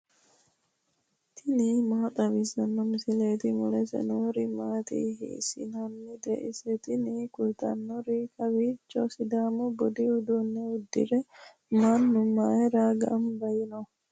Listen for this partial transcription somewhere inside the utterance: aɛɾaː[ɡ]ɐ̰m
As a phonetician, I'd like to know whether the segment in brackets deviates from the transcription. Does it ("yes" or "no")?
no